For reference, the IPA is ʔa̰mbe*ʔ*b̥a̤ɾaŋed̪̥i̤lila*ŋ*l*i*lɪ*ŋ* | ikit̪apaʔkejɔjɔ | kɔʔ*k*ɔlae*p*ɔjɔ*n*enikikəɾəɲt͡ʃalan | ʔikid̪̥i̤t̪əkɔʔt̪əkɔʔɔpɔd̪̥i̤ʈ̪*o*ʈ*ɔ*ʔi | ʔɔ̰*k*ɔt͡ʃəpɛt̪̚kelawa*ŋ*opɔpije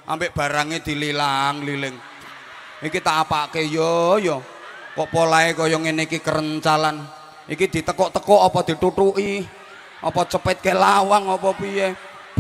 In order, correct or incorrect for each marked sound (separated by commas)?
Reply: correct, correct, correct, correct, incorrect, incorrect, incorrect, incorrect, incorrect, incorrect, correct